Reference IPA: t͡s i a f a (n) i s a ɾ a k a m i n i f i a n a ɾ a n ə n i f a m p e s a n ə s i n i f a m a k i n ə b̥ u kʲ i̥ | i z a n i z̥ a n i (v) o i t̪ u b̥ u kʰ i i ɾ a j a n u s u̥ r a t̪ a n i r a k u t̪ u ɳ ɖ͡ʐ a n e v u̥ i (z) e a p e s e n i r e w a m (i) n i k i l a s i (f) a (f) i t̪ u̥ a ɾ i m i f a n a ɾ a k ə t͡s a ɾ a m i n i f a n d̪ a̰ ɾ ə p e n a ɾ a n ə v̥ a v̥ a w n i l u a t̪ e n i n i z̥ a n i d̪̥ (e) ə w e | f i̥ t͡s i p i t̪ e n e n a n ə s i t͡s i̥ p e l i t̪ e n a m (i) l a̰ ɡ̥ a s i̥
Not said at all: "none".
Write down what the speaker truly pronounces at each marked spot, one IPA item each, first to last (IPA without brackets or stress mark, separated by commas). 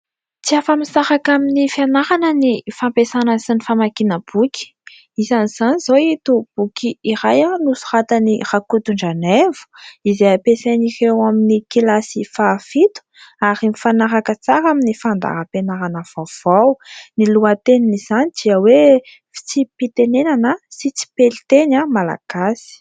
m, z, z, i, f, f, i, a